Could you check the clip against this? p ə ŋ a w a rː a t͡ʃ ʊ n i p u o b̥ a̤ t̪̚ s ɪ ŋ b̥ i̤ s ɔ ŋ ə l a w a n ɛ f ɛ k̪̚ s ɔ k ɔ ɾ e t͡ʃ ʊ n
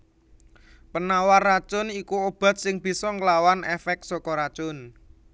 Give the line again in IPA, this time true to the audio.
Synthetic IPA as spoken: p ə n a w a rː a t͡ʃ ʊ n i k u o b̥ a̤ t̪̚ s ɪ ŋ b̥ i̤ s ɔ ŋ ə l a w a n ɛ f ɛ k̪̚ s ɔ k ɔ ɾ a t͡ʃ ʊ n